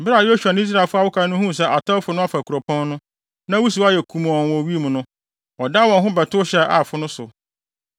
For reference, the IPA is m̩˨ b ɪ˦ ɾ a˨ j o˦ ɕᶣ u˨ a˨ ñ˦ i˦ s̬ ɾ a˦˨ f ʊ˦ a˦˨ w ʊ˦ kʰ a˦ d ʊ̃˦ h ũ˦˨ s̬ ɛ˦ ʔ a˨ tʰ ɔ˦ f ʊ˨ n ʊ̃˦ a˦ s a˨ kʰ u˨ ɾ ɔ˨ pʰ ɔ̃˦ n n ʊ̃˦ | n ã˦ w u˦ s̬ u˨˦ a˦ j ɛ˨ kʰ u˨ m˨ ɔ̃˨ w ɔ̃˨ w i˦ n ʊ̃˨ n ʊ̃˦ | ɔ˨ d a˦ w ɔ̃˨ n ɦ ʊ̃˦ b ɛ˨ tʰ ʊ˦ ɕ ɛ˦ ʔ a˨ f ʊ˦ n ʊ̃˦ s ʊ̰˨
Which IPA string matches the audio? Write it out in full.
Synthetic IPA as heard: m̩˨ b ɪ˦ ɾ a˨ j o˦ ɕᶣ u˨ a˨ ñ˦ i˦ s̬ ɾ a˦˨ f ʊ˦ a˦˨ w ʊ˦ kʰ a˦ n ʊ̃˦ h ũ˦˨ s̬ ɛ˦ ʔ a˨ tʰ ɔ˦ f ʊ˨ n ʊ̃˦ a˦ f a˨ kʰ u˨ ɾ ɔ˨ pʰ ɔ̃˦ n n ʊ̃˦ | n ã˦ w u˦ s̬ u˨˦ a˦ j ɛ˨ kʰ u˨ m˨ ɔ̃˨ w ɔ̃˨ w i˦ m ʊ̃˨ n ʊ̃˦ | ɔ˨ d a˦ w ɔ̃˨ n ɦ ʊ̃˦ b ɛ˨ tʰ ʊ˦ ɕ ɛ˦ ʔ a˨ f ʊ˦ n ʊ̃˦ s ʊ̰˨